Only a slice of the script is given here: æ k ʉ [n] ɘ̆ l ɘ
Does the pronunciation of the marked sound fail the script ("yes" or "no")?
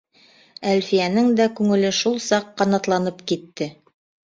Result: yes